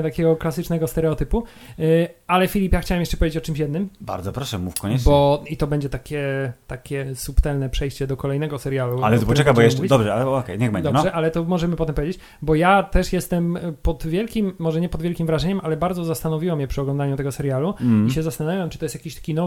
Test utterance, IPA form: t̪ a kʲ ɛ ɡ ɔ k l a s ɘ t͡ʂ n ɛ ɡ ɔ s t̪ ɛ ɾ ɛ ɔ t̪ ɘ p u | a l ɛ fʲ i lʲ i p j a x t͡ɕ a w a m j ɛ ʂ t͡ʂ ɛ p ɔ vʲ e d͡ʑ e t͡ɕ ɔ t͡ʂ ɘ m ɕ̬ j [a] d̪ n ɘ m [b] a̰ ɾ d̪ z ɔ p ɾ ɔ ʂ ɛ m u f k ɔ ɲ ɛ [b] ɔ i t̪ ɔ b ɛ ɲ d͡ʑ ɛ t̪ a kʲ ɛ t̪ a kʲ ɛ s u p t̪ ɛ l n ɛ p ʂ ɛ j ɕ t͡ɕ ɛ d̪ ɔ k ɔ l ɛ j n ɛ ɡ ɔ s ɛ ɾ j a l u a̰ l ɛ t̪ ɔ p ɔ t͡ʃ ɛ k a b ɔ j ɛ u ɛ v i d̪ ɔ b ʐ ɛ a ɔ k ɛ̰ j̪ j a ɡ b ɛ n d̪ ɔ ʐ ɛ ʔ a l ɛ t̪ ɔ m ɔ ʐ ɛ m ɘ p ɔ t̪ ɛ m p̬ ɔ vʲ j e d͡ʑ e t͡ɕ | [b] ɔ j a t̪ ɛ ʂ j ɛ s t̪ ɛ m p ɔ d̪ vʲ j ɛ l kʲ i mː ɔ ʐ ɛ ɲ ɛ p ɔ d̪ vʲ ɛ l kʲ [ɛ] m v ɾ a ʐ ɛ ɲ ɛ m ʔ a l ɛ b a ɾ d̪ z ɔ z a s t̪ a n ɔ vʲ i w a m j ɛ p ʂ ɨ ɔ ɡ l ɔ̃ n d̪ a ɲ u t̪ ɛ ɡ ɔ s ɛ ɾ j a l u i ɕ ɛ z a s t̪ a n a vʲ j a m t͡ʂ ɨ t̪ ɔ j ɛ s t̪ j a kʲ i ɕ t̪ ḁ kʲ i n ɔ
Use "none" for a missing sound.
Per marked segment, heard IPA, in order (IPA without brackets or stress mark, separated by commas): ɛ, b, b, b, i